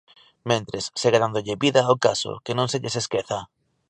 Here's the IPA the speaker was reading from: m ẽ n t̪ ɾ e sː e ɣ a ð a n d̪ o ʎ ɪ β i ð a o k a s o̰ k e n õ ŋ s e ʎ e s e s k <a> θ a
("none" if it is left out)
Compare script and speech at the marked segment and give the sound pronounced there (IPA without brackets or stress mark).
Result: e